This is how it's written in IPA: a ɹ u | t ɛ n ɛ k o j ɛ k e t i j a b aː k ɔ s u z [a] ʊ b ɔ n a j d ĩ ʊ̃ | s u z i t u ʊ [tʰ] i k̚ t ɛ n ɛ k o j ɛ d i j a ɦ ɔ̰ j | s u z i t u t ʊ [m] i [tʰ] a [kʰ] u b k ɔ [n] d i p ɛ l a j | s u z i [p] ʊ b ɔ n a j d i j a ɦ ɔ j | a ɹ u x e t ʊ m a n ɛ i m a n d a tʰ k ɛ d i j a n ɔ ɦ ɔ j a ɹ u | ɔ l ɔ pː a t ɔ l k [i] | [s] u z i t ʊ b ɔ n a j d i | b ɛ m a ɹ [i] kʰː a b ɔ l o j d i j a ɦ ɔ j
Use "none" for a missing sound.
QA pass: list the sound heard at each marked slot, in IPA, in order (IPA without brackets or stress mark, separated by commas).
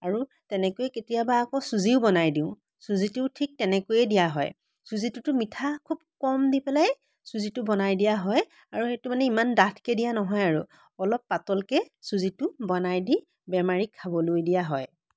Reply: i, tʰ, m, tʰ, kʰ, m, t, ɛ, s, i